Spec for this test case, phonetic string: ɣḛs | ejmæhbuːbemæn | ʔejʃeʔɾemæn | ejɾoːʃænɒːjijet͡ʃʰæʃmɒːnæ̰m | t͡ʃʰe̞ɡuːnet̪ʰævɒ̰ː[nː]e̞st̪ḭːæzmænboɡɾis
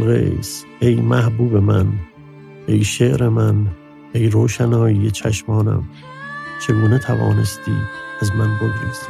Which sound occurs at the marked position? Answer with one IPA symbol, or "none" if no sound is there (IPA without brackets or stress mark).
n